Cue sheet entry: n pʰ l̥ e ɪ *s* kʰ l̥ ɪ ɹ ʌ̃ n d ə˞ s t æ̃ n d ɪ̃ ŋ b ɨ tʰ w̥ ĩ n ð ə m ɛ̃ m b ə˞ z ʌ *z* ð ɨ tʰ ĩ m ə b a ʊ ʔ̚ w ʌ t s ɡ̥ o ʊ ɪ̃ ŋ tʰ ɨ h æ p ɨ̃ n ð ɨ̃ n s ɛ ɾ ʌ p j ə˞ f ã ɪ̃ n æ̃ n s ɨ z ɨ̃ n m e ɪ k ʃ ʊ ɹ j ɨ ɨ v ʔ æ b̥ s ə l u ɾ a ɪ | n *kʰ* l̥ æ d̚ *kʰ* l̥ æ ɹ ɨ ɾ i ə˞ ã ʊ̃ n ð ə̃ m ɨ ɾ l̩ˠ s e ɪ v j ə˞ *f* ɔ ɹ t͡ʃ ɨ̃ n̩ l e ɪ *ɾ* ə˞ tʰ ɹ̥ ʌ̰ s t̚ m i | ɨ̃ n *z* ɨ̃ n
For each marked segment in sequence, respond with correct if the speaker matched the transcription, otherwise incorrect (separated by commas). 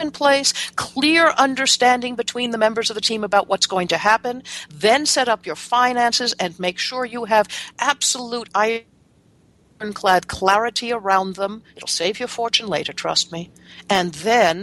correct, incorrect, correct, correct, correct, correct, incorrect